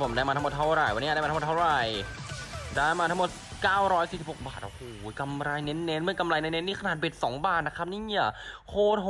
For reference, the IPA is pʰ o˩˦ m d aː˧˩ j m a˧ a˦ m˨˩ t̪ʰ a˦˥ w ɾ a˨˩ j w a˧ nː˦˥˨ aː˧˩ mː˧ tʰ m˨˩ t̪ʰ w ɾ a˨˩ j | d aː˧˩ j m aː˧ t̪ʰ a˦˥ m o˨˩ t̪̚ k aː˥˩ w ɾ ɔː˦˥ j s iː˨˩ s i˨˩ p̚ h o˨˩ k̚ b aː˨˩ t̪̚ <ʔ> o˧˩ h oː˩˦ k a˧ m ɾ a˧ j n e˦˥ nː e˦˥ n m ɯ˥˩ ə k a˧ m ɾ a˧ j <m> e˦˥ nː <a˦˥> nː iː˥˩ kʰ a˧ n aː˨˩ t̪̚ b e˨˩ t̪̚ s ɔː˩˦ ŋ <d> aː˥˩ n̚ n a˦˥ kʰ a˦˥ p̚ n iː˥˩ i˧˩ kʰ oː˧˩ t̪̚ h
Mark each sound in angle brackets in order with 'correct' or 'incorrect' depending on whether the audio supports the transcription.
correct, incorrect, incorrect, incorrect

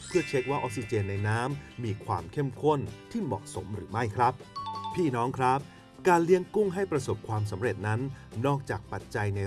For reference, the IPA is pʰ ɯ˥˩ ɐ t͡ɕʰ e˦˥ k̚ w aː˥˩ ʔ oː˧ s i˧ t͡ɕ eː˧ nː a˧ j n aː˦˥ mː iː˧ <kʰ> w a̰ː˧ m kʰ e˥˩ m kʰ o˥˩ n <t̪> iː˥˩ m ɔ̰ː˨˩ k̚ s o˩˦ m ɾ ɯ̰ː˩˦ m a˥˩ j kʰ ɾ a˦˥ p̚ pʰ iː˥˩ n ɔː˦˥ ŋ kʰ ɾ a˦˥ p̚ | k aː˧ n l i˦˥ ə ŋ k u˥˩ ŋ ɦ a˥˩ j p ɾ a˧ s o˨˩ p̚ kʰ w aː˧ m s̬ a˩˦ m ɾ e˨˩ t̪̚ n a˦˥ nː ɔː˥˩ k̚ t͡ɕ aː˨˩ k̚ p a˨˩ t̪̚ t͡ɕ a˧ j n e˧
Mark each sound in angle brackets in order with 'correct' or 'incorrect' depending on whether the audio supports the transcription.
correct, incorrect

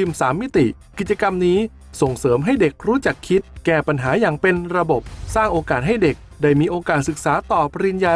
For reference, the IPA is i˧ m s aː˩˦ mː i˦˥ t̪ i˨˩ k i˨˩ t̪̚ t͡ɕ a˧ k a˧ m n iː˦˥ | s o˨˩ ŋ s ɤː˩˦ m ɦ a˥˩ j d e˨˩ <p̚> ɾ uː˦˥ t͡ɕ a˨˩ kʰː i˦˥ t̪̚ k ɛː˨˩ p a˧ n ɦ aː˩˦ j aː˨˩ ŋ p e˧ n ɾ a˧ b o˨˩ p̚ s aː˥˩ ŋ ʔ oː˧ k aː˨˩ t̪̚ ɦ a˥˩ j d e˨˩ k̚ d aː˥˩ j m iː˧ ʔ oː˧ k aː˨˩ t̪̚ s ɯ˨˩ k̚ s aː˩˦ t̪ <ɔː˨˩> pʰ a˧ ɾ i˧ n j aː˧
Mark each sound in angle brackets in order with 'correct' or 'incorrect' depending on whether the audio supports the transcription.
incorrect, correct

